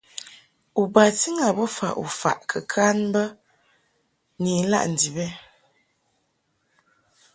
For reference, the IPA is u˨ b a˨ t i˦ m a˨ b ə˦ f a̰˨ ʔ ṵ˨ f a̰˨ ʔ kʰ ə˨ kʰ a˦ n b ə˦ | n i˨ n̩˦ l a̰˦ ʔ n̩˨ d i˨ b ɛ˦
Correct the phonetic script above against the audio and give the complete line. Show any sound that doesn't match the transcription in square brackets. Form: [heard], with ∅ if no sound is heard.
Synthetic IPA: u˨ b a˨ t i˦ [ŋ] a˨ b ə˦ f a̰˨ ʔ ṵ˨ f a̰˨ ʔ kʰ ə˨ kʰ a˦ n b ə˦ | n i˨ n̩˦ l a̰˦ ʔ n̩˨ d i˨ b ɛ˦